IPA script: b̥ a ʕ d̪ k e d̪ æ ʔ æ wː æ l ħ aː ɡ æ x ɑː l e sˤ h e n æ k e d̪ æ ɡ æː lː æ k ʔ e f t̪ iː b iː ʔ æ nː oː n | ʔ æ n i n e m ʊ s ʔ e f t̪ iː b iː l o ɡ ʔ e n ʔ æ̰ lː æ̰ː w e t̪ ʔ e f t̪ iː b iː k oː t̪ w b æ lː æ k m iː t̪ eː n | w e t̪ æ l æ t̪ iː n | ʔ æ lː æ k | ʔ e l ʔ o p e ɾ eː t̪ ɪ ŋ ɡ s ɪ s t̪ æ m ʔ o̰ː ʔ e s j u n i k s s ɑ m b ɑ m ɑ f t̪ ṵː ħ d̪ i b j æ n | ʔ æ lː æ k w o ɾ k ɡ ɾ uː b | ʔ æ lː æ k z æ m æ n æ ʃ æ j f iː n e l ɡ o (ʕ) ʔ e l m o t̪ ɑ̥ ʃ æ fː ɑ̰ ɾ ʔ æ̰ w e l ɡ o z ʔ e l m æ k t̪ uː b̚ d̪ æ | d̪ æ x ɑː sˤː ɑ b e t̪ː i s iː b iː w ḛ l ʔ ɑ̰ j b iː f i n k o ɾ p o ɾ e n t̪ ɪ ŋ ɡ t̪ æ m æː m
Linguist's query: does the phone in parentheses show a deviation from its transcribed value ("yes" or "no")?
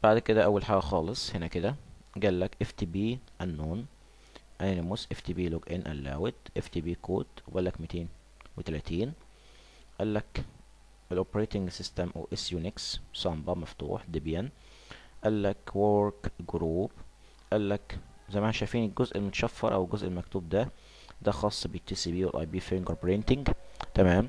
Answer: yes